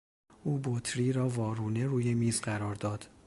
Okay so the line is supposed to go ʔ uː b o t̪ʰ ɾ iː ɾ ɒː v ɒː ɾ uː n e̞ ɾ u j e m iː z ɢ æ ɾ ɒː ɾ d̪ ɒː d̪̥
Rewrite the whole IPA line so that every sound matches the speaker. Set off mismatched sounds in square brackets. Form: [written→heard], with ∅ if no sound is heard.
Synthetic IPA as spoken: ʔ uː b o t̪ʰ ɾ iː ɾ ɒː v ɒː ɾ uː n e̞ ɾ [u→uː] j e m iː z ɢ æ ɾ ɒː ɾ d̪ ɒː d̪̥